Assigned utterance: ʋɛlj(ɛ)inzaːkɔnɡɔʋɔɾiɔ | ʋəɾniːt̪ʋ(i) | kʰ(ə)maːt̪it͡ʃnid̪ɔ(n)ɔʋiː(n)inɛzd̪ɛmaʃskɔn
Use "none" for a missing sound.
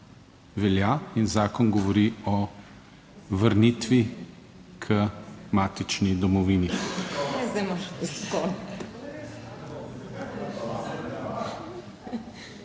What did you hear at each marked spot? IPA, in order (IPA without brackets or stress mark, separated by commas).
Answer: a, i, ə, m, n